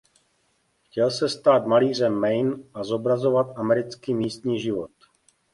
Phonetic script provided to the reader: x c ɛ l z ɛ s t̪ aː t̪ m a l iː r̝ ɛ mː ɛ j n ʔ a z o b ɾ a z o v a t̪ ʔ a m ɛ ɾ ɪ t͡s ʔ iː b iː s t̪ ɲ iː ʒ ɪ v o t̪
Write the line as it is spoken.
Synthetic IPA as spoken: x c ɛ l s ɛ s t̪ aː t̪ m a l iː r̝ ɛ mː ɛ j n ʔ a z o b ɾ a z o v a t̪ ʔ a m ɛ ɾ ɪ t͡s k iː m iː s t̪ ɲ iː ʒ ɪ v o t̪